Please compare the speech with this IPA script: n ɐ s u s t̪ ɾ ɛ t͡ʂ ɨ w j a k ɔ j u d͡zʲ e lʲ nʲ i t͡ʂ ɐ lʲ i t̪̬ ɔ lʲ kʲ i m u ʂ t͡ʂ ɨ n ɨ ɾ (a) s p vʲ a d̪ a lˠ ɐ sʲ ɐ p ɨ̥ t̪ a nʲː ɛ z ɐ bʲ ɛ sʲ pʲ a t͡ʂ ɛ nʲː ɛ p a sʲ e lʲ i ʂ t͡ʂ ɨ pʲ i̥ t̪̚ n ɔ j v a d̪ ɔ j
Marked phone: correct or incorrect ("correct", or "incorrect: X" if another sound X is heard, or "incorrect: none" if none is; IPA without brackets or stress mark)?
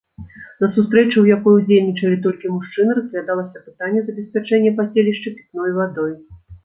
incorrect: ɐ